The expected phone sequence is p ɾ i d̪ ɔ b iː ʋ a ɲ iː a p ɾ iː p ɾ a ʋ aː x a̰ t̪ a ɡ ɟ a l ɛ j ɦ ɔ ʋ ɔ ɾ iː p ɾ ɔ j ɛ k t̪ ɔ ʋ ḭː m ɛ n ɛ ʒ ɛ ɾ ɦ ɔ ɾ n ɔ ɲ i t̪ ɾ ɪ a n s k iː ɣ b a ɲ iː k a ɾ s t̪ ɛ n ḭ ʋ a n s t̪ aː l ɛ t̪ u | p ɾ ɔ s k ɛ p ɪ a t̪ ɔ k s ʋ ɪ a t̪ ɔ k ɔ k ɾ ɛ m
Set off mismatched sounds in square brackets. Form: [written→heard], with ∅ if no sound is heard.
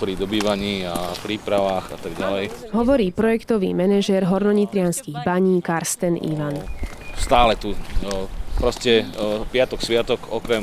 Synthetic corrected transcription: p ɾ i d̪ ɔ b iː ʋ a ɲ iː a p ɾ iː p ɾ a ʋ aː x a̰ t̪ a ɡ ɟ a l ɛ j ɦ ɔ ʋ ɔ ɾ iː p ɾ ɔ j ɛ k t̪ ɔ ʋ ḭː m ɛ n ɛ ʒ ɛ ɾ ɦ ɔ ɾ n ɔ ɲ i t̪ ɾ ɪ a n s k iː ɣ b a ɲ iː k a ɾ s t̪ ɛ n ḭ ʋ a n s t̪ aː l ɛ t̪ u | p ɾ ɔ s [k→c] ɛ p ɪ a t̪ ɔ k s ʋ ɪ a t̪ ɔ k ɔ k ɾ ɛ m